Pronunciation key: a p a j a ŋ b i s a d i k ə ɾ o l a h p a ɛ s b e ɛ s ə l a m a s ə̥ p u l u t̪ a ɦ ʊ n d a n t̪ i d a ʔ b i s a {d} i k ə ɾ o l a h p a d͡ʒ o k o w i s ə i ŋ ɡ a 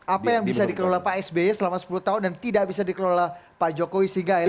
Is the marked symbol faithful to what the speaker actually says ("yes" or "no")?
yes